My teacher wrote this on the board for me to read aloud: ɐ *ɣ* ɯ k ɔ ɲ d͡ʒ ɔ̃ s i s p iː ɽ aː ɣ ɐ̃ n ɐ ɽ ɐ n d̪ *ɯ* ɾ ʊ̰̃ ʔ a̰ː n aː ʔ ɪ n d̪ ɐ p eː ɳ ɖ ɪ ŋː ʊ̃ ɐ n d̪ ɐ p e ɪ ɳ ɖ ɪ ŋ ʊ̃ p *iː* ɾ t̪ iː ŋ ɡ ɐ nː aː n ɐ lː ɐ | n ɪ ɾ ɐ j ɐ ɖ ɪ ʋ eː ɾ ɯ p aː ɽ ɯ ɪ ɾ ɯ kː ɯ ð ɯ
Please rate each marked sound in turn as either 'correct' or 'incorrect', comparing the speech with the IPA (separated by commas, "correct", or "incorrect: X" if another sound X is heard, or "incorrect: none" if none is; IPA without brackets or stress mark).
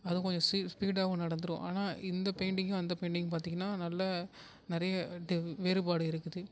incorrect: ð, correct, incorrect: aː